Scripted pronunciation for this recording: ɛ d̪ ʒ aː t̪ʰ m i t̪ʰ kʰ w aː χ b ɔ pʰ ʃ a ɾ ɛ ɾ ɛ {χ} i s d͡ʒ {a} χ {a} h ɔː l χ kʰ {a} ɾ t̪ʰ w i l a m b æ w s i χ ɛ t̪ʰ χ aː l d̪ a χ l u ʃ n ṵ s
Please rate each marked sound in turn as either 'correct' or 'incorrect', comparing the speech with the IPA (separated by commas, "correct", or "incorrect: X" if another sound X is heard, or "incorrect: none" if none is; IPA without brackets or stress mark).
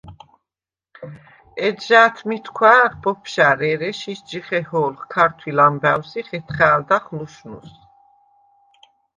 incorrect: ʃ, incorrect: i, incorrect: ɛ, correct